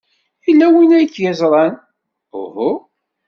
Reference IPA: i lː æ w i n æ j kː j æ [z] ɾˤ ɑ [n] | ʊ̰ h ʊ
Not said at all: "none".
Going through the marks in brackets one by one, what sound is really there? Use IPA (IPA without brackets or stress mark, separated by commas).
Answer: z, n